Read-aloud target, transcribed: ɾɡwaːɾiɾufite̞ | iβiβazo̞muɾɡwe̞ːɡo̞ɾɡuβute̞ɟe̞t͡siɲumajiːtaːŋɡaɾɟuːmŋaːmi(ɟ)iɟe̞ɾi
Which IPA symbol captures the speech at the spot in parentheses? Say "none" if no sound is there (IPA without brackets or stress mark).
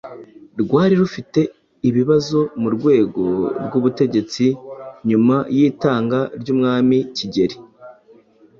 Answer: c